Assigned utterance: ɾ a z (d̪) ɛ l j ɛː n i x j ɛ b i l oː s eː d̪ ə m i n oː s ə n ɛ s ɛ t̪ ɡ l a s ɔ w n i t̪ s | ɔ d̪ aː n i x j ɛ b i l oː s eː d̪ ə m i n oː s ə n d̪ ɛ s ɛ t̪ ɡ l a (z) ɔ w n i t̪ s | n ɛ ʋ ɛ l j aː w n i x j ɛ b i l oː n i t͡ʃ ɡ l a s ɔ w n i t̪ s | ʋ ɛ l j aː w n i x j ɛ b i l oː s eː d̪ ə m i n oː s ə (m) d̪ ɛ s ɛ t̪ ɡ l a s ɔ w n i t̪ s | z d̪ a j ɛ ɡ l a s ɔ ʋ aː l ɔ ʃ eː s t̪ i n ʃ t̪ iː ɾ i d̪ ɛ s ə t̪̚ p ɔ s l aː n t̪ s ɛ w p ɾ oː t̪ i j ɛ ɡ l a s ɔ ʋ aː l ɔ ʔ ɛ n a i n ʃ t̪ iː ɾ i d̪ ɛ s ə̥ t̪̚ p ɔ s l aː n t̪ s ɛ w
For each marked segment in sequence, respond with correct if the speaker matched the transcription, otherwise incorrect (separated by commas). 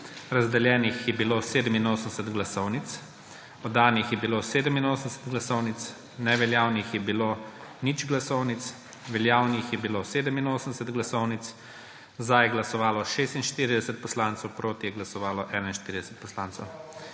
correct, incorrect, incorrect